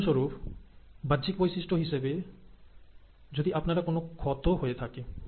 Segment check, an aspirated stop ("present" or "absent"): present